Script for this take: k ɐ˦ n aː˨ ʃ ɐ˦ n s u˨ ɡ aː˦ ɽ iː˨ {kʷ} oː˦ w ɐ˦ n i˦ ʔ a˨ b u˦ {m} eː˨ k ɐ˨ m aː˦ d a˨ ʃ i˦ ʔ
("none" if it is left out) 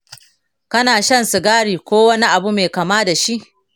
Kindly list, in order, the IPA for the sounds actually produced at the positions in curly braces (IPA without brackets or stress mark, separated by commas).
kʷ, m